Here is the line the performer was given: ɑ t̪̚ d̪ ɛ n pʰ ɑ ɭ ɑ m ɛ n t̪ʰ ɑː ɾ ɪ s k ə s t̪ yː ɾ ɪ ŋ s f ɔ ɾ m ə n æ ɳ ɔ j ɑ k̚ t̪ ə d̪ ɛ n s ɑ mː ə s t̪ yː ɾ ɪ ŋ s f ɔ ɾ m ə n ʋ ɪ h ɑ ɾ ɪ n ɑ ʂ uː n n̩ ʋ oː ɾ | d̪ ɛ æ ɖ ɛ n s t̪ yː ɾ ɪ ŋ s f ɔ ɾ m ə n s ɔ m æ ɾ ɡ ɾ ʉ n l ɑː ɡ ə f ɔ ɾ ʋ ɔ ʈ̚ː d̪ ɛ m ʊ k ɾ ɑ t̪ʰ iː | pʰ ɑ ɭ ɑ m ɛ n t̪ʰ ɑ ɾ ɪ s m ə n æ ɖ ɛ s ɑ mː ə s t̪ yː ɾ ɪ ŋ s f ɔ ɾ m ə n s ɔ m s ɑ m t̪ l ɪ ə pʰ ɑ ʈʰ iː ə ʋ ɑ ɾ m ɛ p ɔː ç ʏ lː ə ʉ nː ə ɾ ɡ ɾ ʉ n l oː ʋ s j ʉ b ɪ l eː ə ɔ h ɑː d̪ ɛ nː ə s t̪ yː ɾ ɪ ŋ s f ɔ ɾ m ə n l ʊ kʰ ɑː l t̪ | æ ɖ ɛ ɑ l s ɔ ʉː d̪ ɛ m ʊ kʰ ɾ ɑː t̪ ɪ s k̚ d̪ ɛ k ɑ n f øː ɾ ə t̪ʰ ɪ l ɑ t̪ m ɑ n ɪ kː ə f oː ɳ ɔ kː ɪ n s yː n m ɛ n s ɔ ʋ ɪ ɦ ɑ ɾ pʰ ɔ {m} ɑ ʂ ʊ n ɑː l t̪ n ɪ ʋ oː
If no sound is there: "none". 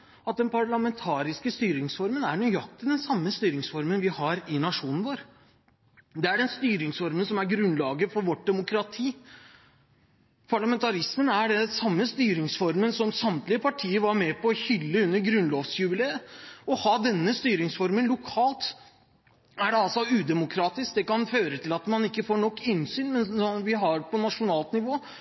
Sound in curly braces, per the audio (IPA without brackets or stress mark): n